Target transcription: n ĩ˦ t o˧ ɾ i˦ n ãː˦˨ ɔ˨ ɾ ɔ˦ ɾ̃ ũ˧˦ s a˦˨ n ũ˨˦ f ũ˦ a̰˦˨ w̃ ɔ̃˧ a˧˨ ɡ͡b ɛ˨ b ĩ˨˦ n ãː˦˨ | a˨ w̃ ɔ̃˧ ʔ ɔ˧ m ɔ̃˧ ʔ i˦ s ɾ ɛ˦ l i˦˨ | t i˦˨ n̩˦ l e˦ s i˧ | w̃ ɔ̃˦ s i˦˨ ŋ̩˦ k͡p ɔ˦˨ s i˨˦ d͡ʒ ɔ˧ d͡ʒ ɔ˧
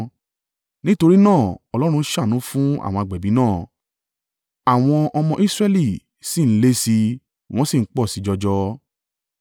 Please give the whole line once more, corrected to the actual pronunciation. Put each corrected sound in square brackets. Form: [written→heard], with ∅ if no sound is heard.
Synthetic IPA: n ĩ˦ t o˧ ɾ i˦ n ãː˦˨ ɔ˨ [ɾ→l] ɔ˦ ɾ̃ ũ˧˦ [s→ʃ] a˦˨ n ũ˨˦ f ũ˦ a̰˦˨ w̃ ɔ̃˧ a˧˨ ɡ͡b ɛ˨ b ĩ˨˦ n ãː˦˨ | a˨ w̃ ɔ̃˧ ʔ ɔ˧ m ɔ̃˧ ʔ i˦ s ɾ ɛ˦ l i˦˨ | [t→s] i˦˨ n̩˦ l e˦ s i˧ | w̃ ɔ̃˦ s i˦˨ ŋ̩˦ k͡p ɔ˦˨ s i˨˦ d͡ʒ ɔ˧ d͡ʒ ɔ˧